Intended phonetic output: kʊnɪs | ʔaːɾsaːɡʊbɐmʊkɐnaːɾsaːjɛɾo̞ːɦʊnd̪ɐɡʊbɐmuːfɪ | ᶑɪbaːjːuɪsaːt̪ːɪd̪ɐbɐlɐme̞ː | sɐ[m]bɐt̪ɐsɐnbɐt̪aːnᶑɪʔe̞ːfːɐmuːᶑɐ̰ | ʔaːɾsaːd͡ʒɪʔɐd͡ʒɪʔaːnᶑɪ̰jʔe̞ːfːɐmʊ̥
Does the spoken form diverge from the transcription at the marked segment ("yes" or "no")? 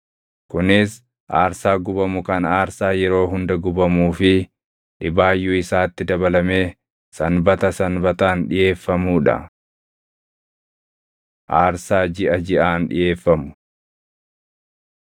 yes